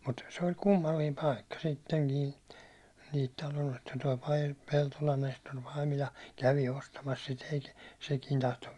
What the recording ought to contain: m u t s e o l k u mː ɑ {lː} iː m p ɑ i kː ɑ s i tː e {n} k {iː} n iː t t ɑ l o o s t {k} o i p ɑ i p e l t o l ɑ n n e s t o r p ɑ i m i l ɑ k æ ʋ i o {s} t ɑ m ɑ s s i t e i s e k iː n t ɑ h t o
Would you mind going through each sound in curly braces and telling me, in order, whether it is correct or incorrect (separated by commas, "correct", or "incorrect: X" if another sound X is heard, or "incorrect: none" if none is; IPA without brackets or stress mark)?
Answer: correct, incorrect: ŋ, correct, incorrect: t, correct